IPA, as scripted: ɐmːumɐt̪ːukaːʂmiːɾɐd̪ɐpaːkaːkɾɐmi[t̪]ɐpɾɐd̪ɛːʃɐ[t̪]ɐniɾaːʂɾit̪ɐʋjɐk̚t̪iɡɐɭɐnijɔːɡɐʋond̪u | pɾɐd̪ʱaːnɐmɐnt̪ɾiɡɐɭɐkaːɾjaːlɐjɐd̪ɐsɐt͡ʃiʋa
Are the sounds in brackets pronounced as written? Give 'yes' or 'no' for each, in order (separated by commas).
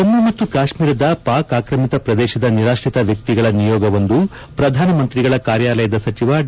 yes, no